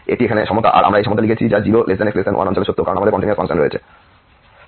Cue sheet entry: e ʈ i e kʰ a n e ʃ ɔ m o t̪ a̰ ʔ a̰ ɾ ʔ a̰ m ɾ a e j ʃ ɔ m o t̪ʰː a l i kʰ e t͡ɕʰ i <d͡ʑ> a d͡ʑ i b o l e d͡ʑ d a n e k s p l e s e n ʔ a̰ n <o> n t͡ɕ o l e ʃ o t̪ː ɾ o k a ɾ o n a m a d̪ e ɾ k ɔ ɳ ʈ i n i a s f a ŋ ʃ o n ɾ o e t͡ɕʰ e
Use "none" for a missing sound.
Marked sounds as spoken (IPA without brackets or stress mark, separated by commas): d͡ʑ, ɔ